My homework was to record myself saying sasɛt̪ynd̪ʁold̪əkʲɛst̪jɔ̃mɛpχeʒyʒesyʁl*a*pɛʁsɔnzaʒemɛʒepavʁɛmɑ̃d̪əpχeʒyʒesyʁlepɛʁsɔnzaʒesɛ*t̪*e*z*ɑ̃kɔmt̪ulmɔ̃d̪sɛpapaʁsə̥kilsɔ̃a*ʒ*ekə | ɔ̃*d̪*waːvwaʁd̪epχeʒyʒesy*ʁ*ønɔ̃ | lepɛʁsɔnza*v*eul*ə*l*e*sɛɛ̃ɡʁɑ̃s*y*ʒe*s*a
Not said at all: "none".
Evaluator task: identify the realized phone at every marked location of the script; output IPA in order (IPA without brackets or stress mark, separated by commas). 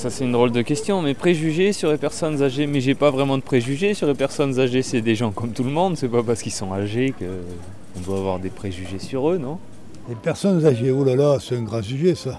e, d̪, ʒ, ʒ, d̪, ʁ, ʒ, a, a, y, s